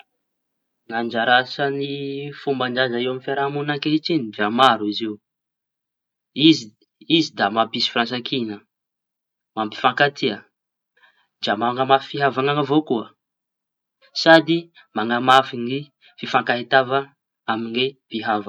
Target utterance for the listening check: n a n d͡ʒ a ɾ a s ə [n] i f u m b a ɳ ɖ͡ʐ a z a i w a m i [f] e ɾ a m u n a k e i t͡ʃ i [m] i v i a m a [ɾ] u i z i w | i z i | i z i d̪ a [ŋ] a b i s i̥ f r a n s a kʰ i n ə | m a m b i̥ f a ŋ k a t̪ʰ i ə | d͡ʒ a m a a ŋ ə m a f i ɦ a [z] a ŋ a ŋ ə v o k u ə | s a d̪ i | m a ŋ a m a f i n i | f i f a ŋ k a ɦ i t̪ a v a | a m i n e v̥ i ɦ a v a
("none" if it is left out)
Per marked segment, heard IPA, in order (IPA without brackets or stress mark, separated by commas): n, f, n, ɾ, m, v